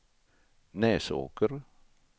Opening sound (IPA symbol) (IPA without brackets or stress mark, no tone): n